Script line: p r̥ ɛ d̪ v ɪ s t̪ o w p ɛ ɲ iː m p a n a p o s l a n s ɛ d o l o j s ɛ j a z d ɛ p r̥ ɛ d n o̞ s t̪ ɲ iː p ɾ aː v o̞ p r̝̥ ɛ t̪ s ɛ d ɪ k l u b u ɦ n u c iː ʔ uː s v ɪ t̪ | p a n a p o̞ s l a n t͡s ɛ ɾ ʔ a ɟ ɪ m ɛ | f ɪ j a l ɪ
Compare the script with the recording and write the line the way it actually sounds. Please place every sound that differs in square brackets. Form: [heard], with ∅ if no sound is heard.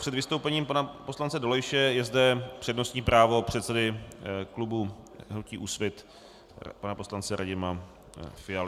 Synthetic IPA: p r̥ ɛ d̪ v ɪ s t̪ o w p ɛ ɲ iː m p a n a p o s l a n [t͡s] ɛ d o l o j [ʃ] ɛ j [ɛ] z d ɛ p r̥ ɛ d n o̞ s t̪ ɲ iː p ɾ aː v o̞ p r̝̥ ɛ t̪ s ɛ d ɪ k l u b u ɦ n u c iː ʔ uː s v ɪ t̪ | p a n a p o̞ s l a n t͡s ɛ ɾ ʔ a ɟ ɪ m [a] | f ɪ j a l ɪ